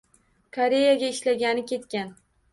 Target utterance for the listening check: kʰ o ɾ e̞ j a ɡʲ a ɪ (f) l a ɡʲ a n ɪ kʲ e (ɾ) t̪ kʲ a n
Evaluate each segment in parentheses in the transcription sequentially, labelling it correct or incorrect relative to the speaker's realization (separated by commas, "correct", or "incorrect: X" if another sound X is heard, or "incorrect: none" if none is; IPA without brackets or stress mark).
incorrect: ʃ, incorrect: none